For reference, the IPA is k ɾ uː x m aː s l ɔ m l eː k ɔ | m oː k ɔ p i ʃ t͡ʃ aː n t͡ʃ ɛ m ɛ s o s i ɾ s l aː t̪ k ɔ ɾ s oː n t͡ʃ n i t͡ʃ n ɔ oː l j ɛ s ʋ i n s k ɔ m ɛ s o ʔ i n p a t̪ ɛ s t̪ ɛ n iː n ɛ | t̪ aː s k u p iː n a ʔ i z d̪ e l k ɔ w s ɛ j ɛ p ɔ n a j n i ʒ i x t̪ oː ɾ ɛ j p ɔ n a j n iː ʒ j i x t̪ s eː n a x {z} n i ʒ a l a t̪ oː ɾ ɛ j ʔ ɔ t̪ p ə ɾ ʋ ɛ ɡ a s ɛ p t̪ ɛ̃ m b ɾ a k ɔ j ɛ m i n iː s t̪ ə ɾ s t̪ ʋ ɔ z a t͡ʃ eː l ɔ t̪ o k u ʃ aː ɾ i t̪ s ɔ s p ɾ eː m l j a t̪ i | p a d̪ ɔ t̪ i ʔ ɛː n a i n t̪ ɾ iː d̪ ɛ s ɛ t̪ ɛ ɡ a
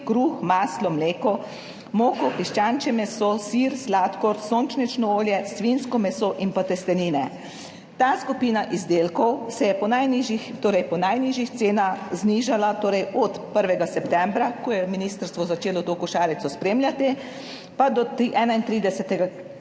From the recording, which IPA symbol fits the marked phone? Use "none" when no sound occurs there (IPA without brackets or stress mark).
z